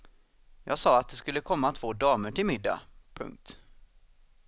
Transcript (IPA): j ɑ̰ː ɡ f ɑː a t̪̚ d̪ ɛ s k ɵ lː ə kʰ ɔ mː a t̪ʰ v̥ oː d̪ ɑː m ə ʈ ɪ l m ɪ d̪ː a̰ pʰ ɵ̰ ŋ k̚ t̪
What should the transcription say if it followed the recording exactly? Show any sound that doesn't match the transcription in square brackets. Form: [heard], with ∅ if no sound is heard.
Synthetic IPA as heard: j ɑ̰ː ɡ [s] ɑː a t̪̚ d̪ ɛ s k ɵ lː ə kʰ ɔ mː a t̪ʰ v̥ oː d̪ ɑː m ə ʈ ɪ l m ɪ d̪ː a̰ pʰ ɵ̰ ŋ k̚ t̪